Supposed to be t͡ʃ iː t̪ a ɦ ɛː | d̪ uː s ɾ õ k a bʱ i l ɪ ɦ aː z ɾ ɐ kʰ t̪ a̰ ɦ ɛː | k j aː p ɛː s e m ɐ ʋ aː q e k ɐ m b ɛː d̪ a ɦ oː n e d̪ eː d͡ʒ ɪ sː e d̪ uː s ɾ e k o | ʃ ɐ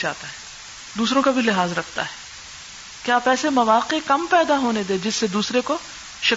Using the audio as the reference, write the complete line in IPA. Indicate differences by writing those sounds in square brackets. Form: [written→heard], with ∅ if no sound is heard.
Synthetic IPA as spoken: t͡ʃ [iː→aː] t̪ a ɦ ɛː | d̪ uː s ɾ õ k a bʱ i l ɪ ɦ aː z ɾ ɐ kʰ t̪ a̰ ɦ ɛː | k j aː p ɛː s e m ɐ ʋ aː q e k ɐ m [b→p] ɛː d̪ a ɦ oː n e d̪ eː d͡ʒ ɪ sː e d̪ uː s ɾ e k o | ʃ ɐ